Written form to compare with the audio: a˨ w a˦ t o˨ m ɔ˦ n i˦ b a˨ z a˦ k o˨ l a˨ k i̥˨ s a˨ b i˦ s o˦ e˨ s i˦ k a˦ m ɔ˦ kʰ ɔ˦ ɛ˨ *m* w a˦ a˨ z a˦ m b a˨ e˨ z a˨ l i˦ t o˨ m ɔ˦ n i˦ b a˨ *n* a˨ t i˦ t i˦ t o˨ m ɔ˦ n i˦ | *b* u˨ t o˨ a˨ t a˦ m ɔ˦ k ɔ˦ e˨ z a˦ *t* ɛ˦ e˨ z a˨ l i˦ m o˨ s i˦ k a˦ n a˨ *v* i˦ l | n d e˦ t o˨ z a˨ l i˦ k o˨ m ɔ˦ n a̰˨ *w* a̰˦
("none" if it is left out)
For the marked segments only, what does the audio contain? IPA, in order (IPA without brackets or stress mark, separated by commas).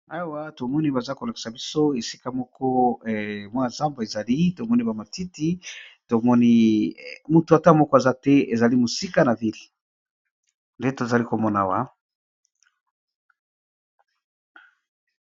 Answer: m, m, m, t, v, w